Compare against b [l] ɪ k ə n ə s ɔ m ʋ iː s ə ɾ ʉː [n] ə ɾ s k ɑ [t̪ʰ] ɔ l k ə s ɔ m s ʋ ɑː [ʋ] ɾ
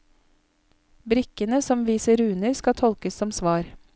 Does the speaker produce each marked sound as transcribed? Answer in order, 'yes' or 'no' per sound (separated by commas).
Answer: no, yes, yes, no